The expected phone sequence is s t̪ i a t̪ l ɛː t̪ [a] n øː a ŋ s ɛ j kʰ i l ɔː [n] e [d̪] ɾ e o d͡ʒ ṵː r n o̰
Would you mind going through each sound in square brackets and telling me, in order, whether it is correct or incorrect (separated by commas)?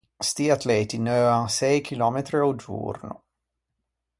incorrect, incorrect, incorrect